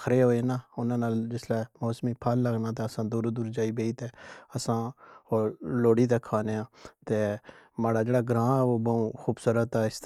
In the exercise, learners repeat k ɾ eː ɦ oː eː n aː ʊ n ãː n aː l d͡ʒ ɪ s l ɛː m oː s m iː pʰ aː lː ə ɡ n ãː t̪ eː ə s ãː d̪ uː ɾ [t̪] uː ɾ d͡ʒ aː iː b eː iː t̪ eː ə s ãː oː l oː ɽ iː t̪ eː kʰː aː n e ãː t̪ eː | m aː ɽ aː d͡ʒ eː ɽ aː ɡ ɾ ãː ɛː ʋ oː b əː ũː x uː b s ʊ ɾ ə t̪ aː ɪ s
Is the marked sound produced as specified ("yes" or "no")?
no